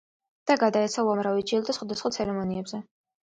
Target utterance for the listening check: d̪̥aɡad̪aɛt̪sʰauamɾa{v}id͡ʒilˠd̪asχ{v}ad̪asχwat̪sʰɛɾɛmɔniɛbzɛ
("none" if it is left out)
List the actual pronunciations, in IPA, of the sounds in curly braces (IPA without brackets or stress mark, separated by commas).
v, w